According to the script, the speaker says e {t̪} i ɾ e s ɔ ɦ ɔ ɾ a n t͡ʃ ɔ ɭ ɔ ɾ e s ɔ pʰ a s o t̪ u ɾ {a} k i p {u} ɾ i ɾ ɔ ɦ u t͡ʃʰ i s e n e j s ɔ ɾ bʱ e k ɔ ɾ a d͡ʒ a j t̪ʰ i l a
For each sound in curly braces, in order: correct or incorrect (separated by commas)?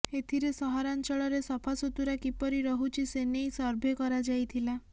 incorrect, correct, incorrect